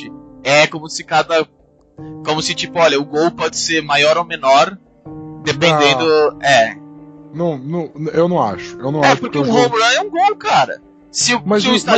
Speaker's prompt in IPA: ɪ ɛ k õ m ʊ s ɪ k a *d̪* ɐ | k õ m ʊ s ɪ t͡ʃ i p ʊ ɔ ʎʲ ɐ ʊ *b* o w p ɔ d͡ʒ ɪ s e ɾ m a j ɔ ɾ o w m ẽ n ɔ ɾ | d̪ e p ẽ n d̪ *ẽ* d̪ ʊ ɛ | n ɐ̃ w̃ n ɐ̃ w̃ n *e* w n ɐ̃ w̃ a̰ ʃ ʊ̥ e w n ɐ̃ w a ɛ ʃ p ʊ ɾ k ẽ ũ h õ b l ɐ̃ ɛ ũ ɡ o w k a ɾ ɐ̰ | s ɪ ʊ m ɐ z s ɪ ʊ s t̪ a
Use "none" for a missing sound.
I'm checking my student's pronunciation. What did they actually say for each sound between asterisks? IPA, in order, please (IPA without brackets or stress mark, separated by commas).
d̪, ɡ, ẽ, e